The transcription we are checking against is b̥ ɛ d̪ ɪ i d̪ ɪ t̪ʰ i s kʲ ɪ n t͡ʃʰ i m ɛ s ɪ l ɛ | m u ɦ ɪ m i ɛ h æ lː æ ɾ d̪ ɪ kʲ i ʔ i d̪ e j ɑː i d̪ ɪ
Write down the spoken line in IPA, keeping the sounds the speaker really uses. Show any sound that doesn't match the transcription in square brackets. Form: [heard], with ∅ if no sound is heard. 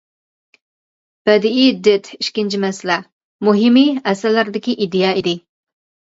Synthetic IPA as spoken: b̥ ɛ d̪ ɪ i d̪ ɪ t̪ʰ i [ʃ] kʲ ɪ n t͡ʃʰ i m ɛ s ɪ l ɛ | m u ɦ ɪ m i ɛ [s] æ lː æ ɾ d̪ ɪ kʲ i ʔ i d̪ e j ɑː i d̪ ɪ

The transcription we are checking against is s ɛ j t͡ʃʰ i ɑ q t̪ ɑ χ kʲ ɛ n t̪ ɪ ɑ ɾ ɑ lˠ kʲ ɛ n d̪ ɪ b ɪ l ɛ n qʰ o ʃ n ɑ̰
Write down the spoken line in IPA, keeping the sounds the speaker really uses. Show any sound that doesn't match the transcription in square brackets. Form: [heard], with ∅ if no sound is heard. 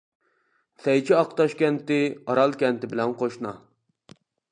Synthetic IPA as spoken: s ɛ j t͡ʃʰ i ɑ q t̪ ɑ [ʃ] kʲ ɛ n t̪ ɪ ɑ ɾ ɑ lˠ kʲ ɛ n [t̪] ɪ b ɪ l ɛ n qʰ o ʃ n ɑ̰

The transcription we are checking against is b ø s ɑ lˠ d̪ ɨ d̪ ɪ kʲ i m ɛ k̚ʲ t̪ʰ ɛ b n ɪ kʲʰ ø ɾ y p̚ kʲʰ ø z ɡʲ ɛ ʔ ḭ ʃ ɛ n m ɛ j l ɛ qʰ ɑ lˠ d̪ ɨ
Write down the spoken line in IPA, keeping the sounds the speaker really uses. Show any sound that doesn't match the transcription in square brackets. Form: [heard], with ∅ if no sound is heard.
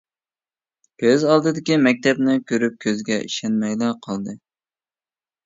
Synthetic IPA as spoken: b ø [z] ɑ lˠ d̪ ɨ d̪ ɪ kʲ i m ɛ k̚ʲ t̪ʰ ɛ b n ɪ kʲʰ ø ɾ y p̚ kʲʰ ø z ɡʲ ɛ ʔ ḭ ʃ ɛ n m ɛ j l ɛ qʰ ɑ lˠ d̪ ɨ

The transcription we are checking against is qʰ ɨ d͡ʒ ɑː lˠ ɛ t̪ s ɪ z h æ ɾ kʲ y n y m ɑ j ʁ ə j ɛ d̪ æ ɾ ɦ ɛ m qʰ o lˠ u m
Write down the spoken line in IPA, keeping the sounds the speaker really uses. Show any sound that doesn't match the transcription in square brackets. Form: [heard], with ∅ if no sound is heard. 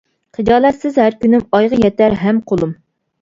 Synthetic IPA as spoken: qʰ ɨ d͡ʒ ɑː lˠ ɛ t̪ s ɪ z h æ ɾ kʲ y n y m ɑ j ʁ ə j ɛ [t̪] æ ɾ ɦ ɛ m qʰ o lˠ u m

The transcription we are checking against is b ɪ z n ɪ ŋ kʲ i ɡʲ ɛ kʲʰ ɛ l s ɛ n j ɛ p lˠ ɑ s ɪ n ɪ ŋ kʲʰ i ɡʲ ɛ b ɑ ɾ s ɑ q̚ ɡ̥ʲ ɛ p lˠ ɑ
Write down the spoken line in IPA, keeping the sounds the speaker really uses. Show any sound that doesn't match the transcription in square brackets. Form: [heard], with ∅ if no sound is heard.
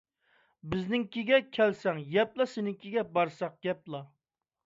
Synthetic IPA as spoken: b ɪ z n ɪ ŋ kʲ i ɡʲ ɛ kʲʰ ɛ l s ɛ [ŋ] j ɛ p lˠ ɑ s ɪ n ɪ ŋ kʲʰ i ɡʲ ɛ b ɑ ɾ s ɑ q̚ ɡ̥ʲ ɛ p lˠ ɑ

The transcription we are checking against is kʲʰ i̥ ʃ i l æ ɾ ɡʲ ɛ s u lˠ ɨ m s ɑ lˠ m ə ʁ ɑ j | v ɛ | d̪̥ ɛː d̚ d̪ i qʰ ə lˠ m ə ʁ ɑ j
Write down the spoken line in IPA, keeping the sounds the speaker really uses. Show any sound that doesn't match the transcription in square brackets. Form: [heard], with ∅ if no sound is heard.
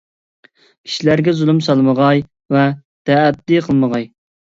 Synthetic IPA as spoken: kʲʰ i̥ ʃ i l æ ɾ ɡʲ ɛ [z] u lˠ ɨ m s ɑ lˠ m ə ʁ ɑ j | v ɛ | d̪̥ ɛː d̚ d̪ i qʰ ə lˠ m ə ʁ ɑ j

